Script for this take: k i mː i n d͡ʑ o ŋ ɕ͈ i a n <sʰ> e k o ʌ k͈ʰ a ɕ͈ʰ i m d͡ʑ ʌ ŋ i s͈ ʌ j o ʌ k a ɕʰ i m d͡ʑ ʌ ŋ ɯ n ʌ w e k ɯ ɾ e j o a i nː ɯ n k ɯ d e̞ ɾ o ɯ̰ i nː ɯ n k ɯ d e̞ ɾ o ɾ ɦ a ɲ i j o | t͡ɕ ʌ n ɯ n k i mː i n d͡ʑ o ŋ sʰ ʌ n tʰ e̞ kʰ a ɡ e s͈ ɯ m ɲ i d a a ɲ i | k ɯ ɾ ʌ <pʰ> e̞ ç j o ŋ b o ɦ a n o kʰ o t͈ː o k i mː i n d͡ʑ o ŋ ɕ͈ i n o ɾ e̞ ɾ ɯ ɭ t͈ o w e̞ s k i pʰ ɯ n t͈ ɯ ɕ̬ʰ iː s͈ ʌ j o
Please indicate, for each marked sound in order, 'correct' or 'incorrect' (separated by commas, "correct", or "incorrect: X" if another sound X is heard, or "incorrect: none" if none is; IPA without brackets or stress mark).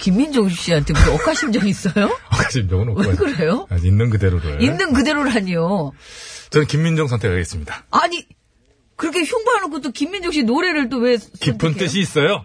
incorrect: tʰ, incorrect: kʰ